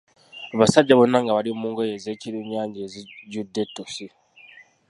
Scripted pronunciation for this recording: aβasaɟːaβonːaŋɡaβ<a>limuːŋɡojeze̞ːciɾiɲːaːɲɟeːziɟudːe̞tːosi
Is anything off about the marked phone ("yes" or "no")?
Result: no